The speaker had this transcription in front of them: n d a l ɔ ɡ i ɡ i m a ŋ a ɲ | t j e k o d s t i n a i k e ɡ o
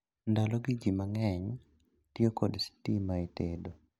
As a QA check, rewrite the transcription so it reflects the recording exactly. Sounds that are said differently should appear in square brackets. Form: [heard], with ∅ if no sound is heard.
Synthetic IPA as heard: n d a l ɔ ɡ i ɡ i m a ŋ [ɛ] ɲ | t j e k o d s t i [m] a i [t] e [d] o